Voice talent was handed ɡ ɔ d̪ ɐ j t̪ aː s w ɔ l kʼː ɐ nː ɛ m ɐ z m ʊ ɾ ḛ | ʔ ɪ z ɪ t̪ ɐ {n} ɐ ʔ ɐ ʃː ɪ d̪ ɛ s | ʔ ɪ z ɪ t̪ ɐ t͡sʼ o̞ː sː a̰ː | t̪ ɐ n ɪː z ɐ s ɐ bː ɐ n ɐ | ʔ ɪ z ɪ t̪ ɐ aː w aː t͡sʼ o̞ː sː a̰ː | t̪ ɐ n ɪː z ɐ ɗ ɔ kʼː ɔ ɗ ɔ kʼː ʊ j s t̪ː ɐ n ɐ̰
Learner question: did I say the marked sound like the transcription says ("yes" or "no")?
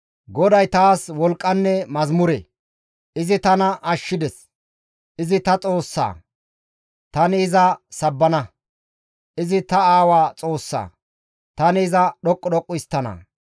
yes